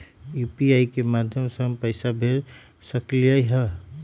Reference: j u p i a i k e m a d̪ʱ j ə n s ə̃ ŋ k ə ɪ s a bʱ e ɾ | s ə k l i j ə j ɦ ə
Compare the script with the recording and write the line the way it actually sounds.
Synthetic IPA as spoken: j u p i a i k e m a d̪ʱ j ə m s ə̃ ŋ p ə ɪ s a bʱ e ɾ | s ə k l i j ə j ɦ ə